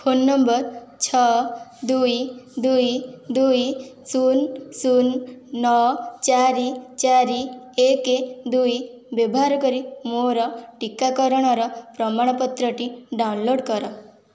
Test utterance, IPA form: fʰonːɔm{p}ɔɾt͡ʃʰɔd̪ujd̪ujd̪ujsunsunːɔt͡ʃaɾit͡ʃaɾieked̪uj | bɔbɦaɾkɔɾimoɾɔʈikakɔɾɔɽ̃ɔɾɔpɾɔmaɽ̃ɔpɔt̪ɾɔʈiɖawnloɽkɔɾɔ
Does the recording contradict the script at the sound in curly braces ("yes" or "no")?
yes